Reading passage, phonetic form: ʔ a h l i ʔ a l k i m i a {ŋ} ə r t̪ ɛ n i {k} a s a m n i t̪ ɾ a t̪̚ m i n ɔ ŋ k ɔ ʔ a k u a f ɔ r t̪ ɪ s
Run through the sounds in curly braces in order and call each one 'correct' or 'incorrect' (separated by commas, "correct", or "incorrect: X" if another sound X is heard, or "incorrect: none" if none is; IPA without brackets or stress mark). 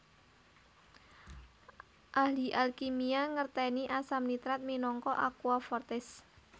correct, incorrect: ʔ